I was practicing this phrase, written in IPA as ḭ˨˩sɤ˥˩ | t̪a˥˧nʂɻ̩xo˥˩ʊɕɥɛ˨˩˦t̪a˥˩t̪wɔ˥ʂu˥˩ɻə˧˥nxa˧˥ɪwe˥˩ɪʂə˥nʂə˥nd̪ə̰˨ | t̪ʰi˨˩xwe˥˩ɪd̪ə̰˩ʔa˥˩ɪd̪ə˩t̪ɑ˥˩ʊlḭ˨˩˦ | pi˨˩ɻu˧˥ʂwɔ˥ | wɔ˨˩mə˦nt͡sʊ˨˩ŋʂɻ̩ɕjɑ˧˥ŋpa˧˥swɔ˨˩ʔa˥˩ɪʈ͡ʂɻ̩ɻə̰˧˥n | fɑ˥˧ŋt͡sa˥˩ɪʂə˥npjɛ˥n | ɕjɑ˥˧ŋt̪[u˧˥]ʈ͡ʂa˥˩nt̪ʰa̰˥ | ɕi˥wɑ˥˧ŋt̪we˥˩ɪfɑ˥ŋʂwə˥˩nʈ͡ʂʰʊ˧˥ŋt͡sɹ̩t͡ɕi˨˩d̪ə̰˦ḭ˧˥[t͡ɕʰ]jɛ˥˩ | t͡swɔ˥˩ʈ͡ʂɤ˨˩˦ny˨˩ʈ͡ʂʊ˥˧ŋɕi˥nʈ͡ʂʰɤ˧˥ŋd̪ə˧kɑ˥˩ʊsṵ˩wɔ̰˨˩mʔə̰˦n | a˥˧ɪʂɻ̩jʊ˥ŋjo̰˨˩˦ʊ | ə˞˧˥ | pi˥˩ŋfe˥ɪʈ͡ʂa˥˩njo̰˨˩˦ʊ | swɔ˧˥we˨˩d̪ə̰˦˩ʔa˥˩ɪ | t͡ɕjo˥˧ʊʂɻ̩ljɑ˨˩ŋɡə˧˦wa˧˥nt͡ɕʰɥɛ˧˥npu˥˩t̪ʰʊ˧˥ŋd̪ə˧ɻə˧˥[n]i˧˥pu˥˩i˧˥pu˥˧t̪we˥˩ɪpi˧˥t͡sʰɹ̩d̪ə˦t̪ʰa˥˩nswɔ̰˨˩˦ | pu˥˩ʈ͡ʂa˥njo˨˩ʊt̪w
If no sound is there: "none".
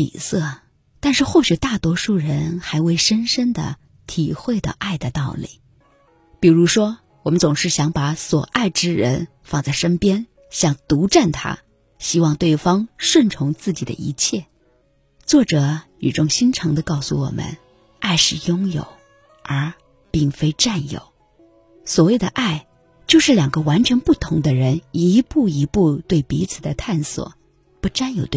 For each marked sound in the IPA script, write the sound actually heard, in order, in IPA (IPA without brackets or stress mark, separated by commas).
u˧˥, t͡ɕʰ, n